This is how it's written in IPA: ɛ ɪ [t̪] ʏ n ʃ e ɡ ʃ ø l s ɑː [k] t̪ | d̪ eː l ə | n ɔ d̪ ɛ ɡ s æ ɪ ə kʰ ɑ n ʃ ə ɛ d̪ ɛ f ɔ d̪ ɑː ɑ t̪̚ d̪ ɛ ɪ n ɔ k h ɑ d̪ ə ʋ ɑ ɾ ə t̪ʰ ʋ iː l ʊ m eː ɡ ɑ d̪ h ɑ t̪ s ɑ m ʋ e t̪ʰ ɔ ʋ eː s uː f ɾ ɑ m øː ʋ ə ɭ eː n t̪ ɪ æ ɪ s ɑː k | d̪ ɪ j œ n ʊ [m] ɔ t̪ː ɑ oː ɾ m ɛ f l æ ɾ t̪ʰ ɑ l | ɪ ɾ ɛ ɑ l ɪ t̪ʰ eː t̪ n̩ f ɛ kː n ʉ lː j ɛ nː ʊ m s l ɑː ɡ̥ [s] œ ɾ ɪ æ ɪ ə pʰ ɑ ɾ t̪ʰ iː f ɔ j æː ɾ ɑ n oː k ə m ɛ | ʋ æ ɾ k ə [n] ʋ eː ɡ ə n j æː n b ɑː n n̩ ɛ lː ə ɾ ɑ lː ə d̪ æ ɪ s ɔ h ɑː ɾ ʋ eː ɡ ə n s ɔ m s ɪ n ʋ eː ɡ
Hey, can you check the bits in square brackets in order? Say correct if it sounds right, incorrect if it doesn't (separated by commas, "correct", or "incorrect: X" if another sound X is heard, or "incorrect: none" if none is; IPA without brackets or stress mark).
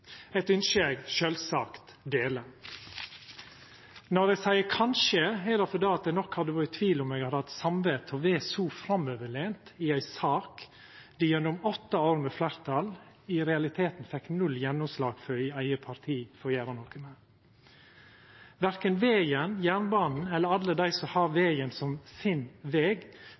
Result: correct, correct, correct, incorrect: f, correct